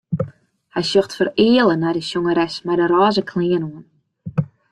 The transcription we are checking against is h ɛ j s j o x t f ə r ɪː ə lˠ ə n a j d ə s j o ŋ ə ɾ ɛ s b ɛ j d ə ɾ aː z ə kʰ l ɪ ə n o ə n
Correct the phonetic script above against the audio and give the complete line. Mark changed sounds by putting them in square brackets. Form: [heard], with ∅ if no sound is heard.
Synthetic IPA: h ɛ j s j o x t f ə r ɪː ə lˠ ə n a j d ə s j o ŋ ə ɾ ɛ s [m] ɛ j d ə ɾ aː z ə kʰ l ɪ ə n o ə n

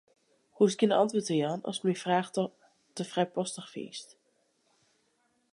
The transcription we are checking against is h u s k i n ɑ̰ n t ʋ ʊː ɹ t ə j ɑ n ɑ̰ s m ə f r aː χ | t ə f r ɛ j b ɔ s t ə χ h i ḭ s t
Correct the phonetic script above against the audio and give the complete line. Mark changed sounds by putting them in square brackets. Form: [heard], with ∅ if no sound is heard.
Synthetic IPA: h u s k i n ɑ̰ n t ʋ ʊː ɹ t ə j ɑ n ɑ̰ s m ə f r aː χ | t ə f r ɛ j [p] ɔ s t ə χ [f] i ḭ s t

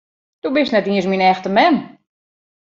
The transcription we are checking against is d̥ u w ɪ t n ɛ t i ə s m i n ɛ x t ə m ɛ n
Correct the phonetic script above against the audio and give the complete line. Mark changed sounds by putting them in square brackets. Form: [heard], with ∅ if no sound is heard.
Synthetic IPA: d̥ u [b] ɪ [s] n ɛ t i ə s m i n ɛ x t ə m ɛ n

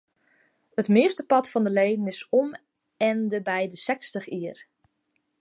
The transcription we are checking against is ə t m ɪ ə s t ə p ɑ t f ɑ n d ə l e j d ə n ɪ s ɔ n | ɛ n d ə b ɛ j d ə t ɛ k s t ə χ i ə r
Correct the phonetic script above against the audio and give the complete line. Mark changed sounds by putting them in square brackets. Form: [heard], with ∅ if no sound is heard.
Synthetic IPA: ə t m ɪ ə s t ə p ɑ t f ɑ n d ə l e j d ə n ɪ s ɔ [m] | ɛ n d ə b ɛ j d ə [s] ɛ k s t ə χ i ə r

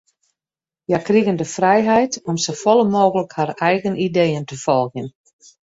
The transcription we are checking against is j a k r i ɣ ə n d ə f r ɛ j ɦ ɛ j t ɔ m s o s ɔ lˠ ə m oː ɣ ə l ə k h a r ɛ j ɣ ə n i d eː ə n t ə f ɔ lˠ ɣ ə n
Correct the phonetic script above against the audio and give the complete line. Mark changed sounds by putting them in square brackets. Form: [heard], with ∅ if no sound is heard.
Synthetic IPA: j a k r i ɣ ə n d ə f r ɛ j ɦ ɛ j t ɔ m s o [f] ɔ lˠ ə m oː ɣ ə l ə k h a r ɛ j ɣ ə n i d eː ə n t ə f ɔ lˠ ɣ ə n

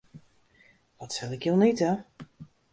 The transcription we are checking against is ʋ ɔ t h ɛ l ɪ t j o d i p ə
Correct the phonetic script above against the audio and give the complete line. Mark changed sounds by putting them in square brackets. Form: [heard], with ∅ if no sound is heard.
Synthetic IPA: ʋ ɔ t [s] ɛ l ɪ [k] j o [n] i [t] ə

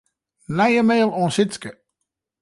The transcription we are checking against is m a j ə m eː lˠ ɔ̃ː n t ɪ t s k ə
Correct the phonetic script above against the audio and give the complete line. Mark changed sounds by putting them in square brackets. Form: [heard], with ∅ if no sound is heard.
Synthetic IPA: [n] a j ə m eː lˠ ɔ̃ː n [s] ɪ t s k ə

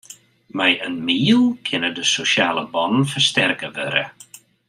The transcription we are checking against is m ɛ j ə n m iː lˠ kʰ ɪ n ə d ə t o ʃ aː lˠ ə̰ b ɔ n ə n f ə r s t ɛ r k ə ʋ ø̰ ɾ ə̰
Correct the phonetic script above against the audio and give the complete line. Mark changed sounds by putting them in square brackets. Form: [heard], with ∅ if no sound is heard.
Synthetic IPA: m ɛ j ə n m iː lˠ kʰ ɪ n ə d ə [s] o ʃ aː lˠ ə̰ b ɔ n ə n f ə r s t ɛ r k ə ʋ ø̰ ɾ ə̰

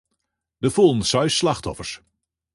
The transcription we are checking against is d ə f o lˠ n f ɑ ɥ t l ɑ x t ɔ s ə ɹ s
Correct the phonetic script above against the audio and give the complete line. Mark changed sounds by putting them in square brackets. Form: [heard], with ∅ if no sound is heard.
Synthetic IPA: d ə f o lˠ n [s] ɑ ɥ [s] l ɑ [χ] t ɔ [f] ə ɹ s

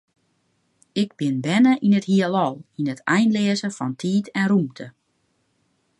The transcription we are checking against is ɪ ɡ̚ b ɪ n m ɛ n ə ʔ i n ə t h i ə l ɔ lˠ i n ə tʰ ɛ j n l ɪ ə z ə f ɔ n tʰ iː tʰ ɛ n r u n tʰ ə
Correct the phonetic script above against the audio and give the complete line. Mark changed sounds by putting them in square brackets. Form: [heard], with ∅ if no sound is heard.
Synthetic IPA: ɪ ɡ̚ b ɪ n [b] ɛ n ə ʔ i n ə t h i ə l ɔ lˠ i n ə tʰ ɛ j n l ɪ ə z ə f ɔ n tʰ iː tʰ ɛ n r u [m] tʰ ə

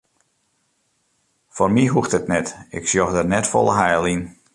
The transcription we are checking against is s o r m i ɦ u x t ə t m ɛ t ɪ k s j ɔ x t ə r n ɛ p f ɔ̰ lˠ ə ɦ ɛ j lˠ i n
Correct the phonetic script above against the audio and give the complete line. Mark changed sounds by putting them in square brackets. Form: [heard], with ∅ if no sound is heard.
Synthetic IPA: [f] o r m i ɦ u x t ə t [n] ɛ t ɪ k s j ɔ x [d] ə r n ɛ [t] f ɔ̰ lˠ ə ɦ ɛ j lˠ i n

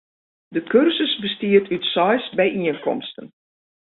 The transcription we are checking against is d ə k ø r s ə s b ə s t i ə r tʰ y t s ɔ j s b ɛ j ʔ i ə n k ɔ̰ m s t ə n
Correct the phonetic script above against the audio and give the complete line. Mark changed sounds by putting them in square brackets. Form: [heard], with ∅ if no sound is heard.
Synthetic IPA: d ə k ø r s ə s b ə s t i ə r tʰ y t s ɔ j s b ɛ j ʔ i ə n k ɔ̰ m s t ə n

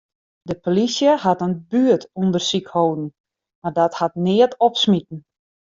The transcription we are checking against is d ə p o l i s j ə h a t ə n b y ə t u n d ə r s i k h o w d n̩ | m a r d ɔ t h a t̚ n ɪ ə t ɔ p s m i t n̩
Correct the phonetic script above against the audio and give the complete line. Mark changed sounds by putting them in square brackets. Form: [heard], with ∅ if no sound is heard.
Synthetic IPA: d ə p o l i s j ə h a t ə n b y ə t u n d ə r s i k h o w d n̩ | m a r d ɔ t h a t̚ n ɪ ə t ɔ p s m i t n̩

